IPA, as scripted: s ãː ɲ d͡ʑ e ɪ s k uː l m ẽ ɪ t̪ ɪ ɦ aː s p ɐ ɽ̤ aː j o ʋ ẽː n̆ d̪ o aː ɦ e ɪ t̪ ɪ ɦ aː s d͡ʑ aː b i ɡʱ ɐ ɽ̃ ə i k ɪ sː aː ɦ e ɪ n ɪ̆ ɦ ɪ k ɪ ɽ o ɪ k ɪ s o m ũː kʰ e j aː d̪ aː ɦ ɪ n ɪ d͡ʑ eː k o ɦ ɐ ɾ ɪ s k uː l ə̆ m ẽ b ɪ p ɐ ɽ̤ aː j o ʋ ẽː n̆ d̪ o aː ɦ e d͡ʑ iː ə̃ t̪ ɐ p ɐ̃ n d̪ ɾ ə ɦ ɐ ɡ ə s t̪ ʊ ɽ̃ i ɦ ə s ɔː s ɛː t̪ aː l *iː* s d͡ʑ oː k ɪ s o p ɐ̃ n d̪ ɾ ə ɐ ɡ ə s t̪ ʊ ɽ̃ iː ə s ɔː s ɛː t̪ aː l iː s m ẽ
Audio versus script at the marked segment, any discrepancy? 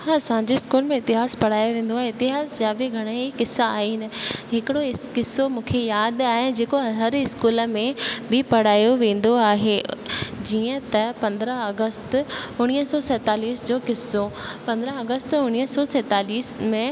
no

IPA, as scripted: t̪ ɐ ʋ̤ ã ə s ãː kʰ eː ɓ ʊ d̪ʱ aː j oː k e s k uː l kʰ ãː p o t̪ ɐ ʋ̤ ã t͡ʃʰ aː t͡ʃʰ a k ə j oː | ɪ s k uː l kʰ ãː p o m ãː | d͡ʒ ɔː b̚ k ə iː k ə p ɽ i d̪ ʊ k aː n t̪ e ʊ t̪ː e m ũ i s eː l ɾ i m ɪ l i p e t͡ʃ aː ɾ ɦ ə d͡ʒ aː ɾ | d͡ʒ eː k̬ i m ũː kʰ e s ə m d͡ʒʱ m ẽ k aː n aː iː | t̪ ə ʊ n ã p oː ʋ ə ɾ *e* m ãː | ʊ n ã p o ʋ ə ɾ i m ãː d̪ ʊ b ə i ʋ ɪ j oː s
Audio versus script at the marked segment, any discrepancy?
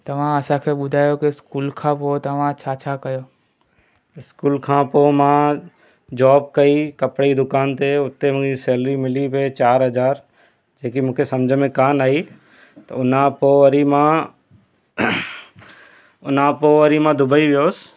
yes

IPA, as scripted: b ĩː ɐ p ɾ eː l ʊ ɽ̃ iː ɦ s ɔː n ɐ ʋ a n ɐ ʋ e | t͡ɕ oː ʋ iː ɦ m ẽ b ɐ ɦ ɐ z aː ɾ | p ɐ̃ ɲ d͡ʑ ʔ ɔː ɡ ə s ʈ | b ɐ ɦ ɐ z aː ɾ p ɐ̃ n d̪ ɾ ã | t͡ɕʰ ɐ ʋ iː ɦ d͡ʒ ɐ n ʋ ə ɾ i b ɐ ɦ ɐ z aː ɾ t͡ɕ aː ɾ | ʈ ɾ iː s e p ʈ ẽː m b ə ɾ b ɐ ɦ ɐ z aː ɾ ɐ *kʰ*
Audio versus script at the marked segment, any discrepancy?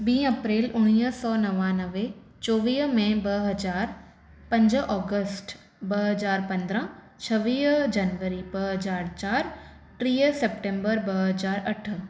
yes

